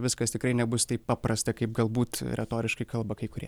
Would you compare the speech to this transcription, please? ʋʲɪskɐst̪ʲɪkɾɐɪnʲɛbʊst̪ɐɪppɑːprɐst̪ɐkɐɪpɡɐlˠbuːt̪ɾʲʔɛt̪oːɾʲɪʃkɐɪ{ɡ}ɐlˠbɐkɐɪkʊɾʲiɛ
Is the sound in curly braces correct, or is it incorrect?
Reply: incorrect